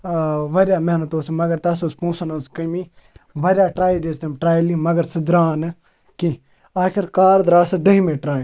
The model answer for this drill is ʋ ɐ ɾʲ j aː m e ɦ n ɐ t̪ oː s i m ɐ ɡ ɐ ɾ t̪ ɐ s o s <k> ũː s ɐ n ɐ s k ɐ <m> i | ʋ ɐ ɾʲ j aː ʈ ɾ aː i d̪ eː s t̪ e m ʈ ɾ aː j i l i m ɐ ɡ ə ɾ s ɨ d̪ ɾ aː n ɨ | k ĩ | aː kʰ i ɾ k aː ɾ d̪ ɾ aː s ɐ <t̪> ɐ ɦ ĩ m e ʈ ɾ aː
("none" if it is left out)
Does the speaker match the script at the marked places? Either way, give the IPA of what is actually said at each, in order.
p, m, d̪

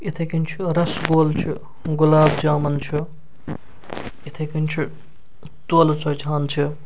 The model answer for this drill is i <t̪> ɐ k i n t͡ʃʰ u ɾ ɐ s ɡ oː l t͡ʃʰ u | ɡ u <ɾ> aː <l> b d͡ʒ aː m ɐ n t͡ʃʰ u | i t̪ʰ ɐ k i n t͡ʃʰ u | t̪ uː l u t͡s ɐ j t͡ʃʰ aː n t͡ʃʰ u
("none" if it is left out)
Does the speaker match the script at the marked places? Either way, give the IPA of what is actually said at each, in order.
t̪ʰ, l, none

